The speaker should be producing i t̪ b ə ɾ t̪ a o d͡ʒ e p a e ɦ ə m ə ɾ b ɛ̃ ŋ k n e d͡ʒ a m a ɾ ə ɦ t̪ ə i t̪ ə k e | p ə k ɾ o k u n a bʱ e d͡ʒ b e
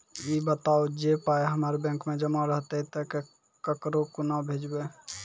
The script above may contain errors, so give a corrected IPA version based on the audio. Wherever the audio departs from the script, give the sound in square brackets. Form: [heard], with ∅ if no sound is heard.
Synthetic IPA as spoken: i [∅] b ə [∅] t̪ a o d͡ʒ e p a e ɦ ə m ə ɾ b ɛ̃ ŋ k [m] e d͡ʒ [ə] m a ɾ ə ɦ t̪ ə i t̪ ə k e | [k] ə k ɾ o k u n a bʱ e d͡ʒ b e